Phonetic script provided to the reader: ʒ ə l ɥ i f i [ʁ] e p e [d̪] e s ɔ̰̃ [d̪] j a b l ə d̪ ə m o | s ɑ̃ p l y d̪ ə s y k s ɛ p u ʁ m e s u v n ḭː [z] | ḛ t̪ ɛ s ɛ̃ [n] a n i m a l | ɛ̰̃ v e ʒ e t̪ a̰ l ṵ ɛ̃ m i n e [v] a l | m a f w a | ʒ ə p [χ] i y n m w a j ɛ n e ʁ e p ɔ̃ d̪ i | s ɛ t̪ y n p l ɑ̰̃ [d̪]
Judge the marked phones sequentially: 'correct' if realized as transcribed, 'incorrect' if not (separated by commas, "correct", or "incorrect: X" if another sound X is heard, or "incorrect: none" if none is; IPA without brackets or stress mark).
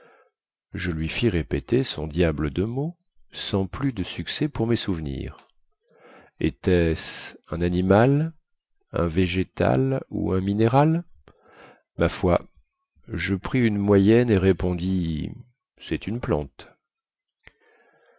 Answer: correct, incorrect: t̪, correct, incorrect: ʁ, correct, incorrect: ʁ, correct, incorrect: t̪